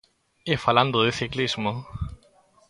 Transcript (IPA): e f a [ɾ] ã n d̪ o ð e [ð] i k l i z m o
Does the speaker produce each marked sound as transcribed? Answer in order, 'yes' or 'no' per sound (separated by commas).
no, no